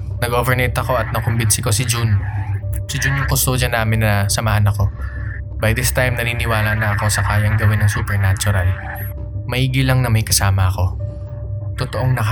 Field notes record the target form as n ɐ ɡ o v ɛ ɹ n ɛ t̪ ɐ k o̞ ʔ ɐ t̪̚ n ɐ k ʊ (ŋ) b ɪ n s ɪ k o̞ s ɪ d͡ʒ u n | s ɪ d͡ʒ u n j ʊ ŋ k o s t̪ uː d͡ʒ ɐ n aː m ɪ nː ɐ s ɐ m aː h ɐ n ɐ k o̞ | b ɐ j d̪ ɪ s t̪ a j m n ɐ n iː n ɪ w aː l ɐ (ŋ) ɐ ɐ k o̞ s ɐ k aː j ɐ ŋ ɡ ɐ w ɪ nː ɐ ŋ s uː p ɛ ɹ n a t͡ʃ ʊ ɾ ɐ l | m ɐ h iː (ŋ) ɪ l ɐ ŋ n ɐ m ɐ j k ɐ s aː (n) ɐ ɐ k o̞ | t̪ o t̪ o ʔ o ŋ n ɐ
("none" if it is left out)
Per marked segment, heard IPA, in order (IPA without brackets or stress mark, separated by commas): m, n, ɡ, m